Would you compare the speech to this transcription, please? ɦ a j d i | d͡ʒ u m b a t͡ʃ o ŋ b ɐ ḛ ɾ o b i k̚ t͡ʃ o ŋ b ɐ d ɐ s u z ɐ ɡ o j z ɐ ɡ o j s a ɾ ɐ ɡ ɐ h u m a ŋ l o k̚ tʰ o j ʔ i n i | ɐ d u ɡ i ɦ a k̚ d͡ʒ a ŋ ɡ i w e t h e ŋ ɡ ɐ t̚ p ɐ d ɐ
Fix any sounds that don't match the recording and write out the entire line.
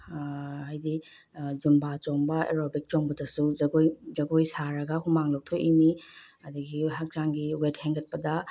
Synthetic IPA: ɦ a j d i | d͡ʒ u m b a t͡ʃ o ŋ b ɐ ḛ ɾ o b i k̚ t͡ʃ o ŋ b ɐ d ɐ s u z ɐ ɡ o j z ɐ ɡ o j s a ɾ ɐ ɡ ɐ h u m a ŋ l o k̚ tʰ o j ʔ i n i | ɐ d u ɡ i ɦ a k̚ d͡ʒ a ŋ ɡ i w e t h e ŋ ɡ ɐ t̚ p ɐ d ɐ